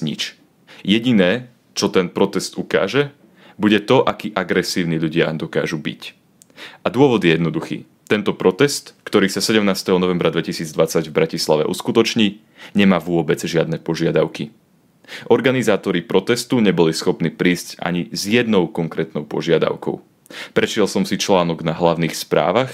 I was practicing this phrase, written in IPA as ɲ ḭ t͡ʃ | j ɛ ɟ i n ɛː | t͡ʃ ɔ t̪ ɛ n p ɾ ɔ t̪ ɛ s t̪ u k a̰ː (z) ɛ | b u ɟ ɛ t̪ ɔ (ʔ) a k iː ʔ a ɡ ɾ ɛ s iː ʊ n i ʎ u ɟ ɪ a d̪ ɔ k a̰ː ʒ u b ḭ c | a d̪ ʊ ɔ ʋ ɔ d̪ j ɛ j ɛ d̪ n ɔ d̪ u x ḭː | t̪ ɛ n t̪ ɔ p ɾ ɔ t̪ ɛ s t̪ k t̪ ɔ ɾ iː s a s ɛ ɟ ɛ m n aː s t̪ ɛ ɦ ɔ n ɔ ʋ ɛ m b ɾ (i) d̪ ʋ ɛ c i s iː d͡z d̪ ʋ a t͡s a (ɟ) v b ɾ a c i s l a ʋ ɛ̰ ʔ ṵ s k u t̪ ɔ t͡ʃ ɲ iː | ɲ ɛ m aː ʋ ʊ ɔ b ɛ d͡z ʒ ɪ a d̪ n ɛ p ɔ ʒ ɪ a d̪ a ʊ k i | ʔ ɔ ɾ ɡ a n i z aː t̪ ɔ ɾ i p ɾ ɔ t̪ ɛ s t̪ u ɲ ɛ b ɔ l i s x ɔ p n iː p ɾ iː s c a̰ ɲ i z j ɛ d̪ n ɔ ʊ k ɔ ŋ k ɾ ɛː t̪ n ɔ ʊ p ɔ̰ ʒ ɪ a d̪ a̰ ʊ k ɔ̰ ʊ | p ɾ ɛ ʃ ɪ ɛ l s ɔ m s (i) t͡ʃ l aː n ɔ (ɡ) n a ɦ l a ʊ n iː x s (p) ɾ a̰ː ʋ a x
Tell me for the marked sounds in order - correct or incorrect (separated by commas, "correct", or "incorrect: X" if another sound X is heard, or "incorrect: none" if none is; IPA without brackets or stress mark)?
incorrect: ʒ, correct, incorrect: a, correct, correct, correct, correct